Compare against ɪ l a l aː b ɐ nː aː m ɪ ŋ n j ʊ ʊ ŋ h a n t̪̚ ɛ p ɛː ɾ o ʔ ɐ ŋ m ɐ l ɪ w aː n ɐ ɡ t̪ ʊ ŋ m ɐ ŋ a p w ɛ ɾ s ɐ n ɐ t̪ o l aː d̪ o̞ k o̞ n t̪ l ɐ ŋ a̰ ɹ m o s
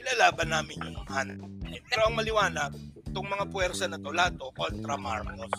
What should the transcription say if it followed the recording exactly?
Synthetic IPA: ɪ l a l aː b ɐ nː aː m ɪ n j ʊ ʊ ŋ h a n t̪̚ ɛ p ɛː ɾ o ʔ ɐ ŋ m ɐ l ɪ w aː n ɐ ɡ t̪ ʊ ŋ m ɐ ŋ a p w ɛ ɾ s ɐ n ɐ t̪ o l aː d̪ o̞ k o̞ n t̪ ɾ ɐ m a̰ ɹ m o s